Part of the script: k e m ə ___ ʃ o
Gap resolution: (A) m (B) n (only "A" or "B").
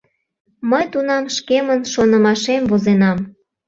B